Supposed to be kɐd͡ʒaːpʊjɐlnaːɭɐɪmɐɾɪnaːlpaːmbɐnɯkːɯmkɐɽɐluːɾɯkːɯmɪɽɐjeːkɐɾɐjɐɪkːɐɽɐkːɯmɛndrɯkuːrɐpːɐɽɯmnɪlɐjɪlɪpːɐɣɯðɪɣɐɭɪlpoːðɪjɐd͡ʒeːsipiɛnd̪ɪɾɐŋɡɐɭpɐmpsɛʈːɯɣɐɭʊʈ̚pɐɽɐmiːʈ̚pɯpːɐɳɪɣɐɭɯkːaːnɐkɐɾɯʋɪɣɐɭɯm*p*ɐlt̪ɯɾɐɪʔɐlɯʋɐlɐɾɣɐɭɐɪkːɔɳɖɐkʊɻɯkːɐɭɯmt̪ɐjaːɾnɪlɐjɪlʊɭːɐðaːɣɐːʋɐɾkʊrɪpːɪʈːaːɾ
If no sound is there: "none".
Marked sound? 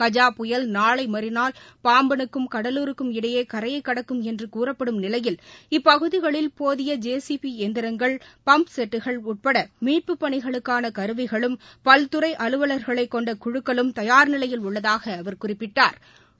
p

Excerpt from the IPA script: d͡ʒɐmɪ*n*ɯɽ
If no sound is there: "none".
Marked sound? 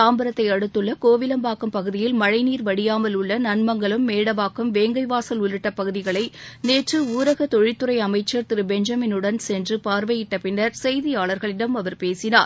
n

